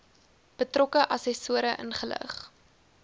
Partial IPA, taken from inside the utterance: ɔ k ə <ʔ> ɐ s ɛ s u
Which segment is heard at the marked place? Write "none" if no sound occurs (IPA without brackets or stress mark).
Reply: ʔ